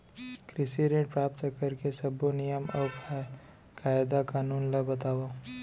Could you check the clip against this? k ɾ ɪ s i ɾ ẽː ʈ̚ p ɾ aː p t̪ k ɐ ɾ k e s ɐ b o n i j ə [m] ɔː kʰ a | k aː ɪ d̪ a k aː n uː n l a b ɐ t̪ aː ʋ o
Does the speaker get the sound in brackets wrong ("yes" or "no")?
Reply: no